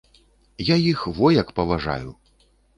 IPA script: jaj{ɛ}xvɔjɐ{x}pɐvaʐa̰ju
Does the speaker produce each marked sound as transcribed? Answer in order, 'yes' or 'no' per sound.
no, no

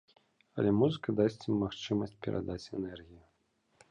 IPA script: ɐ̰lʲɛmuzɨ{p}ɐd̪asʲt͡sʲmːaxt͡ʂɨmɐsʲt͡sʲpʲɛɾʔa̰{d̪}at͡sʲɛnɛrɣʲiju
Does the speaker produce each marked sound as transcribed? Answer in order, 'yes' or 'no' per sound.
no, yes

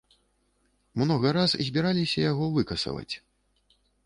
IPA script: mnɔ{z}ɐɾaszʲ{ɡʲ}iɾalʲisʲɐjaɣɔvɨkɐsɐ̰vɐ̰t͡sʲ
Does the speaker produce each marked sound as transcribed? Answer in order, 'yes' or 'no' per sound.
no, no

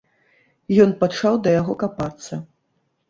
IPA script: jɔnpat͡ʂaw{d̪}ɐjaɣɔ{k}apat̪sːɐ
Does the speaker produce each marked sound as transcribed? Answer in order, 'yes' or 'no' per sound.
yes, yes

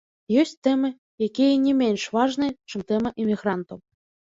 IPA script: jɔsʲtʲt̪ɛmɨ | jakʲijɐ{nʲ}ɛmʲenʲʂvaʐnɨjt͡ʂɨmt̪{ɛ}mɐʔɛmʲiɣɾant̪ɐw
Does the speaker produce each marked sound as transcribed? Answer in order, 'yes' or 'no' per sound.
yes, yes

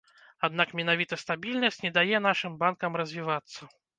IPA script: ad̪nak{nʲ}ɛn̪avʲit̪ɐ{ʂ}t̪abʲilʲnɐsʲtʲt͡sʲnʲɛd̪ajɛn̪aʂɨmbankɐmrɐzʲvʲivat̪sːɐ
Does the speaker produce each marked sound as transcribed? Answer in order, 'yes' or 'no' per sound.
no, no

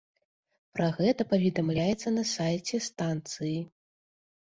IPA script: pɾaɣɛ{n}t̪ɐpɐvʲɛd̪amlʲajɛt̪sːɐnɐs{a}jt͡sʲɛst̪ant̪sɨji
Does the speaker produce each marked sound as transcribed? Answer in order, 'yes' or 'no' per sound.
no, yes

